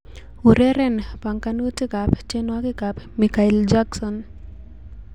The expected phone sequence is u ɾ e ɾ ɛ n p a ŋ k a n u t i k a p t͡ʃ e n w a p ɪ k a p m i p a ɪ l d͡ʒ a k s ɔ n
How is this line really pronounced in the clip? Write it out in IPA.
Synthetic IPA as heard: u ɾ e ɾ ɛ n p a ŋ k a n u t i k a p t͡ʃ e n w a k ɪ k a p m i k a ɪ l d͡ʒ a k s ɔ n